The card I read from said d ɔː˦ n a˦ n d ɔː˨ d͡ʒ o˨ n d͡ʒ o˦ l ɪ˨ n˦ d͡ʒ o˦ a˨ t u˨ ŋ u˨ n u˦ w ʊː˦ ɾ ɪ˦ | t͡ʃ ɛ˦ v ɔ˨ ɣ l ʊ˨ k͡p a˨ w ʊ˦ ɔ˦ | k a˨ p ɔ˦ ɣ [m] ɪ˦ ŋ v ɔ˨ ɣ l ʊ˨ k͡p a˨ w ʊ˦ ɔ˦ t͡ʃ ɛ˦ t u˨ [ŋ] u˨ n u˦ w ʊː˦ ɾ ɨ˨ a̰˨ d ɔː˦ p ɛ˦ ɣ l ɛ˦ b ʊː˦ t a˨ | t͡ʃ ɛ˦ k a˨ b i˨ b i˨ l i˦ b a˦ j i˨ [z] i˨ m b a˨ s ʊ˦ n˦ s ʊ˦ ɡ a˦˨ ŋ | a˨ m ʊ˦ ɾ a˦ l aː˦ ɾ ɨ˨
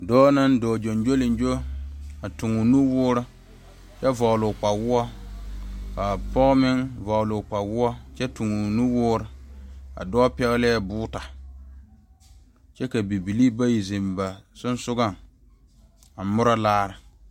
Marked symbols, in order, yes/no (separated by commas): yes, yes, yes